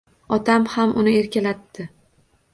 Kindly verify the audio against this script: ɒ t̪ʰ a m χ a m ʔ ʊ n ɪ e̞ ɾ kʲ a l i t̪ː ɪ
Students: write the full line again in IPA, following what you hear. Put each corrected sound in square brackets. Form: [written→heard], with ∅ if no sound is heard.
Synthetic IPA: ɒ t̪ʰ a m [χ→h] a m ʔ ʊ n ɪ e̞ ɾ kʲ a l [i→a] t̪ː ɪ